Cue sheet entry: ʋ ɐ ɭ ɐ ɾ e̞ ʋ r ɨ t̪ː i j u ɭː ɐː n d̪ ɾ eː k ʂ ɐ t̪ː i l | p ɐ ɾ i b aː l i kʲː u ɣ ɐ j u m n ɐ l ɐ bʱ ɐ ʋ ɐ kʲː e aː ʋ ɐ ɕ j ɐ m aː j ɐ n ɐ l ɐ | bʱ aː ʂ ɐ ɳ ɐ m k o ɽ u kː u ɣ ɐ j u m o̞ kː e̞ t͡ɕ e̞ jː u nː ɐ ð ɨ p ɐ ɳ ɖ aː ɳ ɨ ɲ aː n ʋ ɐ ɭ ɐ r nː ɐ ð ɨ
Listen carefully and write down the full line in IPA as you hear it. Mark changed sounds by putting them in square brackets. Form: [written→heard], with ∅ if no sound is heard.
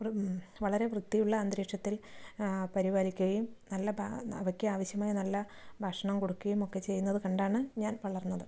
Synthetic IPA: ʋ ɐ ɭ ɐ ɾ e̞ ʋ r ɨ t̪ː i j u ɭː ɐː n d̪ ɾ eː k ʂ ɐ t̪ː i l | p ɐ ɾ i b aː l i kʲː u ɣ ɐ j u m n ɐ [l→lː] ɐ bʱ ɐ ʋ ɐ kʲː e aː ʋ ɐ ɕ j ɐ m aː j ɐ n ɐ [l→lː] ɐ | bʱ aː ʂ ɐ ɳ ɐ m k o ɽ u kː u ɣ ɐ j u m o̞ kː e̞ t͡ɕ e̞ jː u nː ɐ ð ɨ [p→k] ɐ ɳ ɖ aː ɳ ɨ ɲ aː n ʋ ɐ ɭ ɐ r nː ɐ ð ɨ